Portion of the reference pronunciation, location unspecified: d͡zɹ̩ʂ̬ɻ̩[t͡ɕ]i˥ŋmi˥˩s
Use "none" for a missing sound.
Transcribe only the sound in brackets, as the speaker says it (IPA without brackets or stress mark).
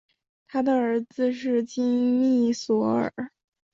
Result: t͡ɕ